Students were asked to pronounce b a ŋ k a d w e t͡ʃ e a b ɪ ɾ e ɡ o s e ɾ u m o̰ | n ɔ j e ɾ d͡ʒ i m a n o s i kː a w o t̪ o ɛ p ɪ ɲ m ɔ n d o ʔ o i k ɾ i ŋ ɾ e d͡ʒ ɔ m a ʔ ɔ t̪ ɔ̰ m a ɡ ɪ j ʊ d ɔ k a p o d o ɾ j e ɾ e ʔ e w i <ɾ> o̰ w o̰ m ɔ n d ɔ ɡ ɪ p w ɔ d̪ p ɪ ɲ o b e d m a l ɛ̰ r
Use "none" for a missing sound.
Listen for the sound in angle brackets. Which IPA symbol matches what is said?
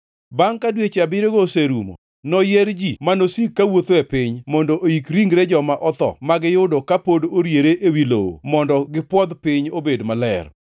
l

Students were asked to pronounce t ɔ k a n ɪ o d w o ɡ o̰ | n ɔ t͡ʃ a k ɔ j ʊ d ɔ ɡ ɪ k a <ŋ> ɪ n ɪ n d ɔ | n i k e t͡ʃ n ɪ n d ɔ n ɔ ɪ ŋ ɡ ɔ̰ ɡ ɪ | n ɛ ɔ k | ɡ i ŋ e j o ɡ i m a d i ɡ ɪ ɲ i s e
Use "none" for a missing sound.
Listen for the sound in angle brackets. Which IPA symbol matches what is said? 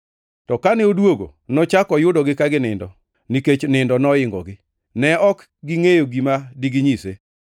ɡ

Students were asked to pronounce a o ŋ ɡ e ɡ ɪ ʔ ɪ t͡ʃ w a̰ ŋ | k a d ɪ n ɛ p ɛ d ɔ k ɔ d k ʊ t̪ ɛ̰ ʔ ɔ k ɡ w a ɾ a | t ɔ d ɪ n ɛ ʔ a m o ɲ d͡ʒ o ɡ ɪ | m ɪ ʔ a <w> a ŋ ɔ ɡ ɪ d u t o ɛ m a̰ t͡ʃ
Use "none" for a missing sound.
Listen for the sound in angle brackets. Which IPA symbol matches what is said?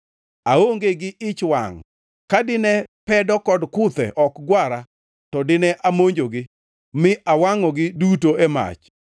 w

